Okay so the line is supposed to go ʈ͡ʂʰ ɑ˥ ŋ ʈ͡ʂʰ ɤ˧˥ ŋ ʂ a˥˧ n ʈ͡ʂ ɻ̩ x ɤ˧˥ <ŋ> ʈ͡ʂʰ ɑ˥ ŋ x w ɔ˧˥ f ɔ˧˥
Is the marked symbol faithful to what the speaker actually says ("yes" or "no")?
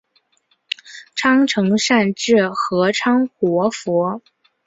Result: no